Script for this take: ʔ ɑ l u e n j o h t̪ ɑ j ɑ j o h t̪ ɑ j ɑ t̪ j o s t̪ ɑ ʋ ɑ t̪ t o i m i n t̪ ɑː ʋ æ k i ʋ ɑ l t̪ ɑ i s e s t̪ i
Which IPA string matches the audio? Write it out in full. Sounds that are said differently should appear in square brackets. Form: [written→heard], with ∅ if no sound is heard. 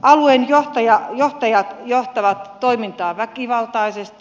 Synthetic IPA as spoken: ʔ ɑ l u e n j o h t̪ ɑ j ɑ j o h t̪ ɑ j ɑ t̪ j o [s→h] t̪ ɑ ʋ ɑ t̪ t o i m i n t̪ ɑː ʋ æ k i ʋ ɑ l t̪ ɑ i s e s t̪ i